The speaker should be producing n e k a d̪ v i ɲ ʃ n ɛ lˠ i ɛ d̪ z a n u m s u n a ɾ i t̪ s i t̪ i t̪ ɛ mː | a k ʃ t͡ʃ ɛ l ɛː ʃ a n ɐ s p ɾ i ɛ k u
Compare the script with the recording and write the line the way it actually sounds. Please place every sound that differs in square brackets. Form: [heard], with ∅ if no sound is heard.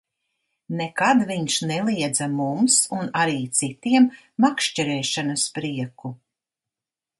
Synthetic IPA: n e k a d̪ v i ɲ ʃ n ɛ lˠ i ɛ d̪ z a [m] u m s u n a ɾ [iː] t̪ s i t̪ i [∅] ɛ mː | a k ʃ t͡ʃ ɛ [ɾ] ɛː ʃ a n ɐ s p ɾ i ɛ k u